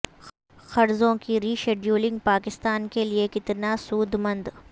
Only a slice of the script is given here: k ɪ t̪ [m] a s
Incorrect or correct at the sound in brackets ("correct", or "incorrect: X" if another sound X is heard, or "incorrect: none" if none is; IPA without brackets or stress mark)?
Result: incorrect: n